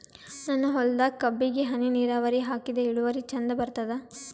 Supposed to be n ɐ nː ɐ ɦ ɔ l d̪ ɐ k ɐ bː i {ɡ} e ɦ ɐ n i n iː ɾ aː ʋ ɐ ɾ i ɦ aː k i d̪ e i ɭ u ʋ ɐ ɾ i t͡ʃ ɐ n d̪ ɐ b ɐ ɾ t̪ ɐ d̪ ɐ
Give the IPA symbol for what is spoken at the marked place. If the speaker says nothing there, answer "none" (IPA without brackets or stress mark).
ɡ